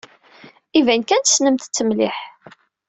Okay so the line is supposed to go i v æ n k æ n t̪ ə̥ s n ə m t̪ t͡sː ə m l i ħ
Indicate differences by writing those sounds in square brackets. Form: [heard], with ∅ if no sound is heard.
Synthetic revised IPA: i v æ n k æ n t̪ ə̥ s n ə m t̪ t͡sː ə m l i ħ